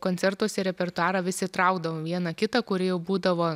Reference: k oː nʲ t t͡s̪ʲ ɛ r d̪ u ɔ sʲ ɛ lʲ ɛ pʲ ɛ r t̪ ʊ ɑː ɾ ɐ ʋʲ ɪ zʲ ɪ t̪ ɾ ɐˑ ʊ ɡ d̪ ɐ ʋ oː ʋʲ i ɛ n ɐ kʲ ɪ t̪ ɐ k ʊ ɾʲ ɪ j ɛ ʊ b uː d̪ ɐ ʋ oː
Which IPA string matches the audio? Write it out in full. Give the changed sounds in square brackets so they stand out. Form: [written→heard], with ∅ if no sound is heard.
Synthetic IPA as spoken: k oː nʲ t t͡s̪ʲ ɛ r [d̪→t̪] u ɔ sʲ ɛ [lʲ→ɾʲ] ɛ pʲ ɛ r t̪ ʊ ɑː ɾ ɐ ʋʲ ɪ [zʲ→sʲ] ɪ t̪ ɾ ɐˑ ʊ ɡ d̪ ɐ ʋ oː ʋʲ i ɛ n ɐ kʲ ɪ t̪ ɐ k ʊ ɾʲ ɪ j ɛ ʊ b uː d̪ ɐ ʋ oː